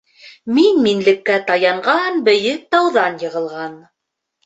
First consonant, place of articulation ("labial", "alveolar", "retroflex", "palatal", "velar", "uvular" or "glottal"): labial